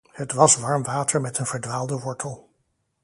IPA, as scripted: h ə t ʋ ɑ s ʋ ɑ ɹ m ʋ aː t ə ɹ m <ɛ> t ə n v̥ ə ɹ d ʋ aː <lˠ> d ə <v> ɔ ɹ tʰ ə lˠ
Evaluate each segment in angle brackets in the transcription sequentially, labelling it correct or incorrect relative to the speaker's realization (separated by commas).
correct, correct, incorrect